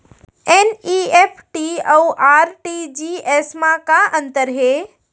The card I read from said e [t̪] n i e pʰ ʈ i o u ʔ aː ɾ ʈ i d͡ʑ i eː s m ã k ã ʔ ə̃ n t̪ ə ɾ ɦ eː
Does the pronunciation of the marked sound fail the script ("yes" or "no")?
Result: yes